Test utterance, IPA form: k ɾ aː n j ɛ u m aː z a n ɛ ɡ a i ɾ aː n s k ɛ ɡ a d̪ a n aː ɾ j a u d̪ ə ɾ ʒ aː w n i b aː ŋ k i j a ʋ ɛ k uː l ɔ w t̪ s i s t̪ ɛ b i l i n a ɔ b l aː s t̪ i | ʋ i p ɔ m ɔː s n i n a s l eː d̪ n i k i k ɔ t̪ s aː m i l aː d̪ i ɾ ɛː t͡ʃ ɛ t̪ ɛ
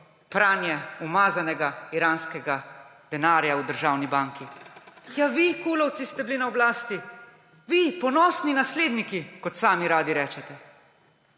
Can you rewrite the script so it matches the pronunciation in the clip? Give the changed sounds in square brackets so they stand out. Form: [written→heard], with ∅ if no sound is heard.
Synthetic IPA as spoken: [k→p] ɾ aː n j ɛ u m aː z a n ɛ ɡ a i ɾ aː n s k ɛ ɡ a d̪ [a→ɛ] n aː ɾ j a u d̪ ə ɾ ʒ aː w n i b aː ŋ k i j a ʋ [ɛ→i] k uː l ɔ w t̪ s i s t̪ ɛ b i l i n a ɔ b l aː s t̪ i | ʋ i p ɔ [m→n] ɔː s n i n a s l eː d̪ n i k i k ɔ t̪ s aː m i [l→ɾ] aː d̪ i ɾ ɛː t͡ʃ ɛ t̪ ɛ